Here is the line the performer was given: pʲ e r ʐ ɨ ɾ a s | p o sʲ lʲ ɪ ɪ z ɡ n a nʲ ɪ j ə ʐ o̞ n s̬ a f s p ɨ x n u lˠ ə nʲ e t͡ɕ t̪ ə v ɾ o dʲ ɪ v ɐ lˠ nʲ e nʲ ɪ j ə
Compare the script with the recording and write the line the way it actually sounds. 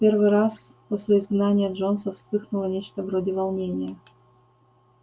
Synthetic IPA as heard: pʲ e r v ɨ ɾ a s | p o sʲ lʲ ɪ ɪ z ɡ n a nʲ ɪ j ə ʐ o̞ n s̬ ə f s p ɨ x n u lˠ ə nʲ e t͡ɕ t̪ ə v ɾ o dʲ ɪ v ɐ lˠ nʲ e nʲ ɪ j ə